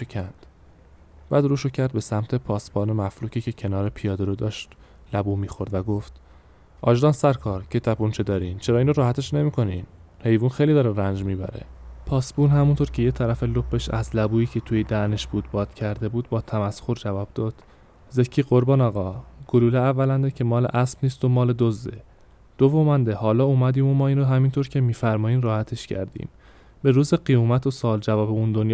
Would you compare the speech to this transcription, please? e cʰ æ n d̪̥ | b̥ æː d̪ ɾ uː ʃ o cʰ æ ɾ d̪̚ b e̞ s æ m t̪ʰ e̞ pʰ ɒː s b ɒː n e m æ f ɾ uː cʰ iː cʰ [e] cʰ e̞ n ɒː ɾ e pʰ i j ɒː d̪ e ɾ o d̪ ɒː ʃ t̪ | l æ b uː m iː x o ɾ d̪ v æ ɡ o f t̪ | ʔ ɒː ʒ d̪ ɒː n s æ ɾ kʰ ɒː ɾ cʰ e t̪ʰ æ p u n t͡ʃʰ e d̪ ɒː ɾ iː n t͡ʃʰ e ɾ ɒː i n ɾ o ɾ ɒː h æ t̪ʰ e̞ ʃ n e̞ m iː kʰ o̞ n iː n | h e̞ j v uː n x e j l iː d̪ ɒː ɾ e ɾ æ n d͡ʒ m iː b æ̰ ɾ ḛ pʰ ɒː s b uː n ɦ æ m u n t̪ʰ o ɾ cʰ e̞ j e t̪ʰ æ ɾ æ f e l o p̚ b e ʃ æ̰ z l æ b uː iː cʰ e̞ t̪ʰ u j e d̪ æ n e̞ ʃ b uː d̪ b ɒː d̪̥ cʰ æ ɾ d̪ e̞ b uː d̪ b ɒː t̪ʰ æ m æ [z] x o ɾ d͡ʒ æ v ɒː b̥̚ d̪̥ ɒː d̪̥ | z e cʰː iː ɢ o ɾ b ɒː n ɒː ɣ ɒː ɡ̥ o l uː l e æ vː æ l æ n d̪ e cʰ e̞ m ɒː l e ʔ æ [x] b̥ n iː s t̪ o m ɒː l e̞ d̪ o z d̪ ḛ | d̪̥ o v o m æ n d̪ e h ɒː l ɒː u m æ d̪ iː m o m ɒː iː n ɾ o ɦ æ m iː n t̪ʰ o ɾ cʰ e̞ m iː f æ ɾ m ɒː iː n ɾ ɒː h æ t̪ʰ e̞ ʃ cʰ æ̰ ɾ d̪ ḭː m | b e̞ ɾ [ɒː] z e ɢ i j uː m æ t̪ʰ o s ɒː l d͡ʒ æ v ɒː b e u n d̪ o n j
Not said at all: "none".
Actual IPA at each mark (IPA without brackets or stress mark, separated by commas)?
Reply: e, s, s, uː